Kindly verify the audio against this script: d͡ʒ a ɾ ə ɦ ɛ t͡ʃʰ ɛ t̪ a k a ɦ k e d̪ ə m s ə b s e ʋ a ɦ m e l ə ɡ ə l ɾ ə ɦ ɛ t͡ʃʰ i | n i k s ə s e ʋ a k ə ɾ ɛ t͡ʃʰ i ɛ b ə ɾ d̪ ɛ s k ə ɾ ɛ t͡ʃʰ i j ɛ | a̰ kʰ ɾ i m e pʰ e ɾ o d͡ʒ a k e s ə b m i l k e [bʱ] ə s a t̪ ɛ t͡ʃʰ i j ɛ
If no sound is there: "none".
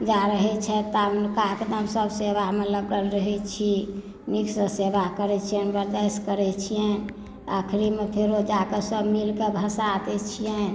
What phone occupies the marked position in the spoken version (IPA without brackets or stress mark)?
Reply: bʱ